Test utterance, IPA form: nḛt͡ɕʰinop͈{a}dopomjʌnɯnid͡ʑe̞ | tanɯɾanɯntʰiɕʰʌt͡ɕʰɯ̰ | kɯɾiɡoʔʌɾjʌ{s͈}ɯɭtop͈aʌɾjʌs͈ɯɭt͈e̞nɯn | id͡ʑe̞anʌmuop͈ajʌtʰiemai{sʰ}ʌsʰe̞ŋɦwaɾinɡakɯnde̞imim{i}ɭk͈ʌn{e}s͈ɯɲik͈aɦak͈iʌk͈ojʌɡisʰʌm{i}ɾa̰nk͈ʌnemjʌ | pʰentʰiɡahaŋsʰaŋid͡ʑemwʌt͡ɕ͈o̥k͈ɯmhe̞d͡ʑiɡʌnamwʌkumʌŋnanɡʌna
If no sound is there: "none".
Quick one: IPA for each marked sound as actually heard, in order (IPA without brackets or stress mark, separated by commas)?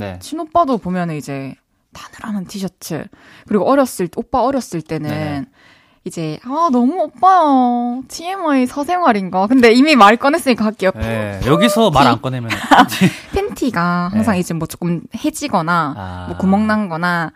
a, s͈, sʰ, a, e, a